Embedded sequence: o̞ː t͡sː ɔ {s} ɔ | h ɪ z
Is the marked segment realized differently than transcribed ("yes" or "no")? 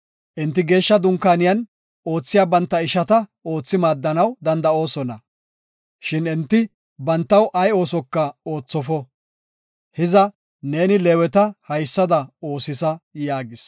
yes